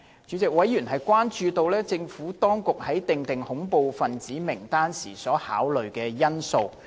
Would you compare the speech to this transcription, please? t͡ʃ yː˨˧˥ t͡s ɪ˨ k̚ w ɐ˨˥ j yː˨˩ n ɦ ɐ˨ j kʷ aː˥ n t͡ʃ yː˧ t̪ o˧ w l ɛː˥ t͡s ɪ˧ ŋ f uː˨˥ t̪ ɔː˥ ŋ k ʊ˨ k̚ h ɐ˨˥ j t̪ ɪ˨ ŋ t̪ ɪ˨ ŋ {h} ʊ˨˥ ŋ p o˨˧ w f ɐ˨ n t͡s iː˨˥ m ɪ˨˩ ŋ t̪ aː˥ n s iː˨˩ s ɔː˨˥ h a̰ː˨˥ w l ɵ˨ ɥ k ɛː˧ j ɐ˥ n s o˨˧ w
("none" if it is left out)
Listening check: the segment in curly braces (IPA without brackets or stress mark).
h